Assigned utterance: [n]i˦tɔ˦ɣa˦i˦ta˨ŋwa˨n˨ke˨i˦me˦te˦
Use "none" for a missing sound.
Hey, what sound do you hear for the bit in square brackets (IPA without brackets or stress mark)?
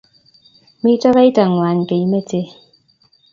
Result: m